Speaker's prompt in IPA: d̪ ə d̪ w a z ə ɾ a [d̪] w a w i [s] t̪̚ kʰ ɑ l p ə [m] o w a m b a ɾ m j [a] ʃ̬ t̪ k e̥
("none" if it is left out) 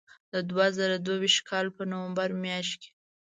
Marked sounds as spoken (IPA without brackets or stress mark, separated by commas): d̪, ʃ, n, ɑ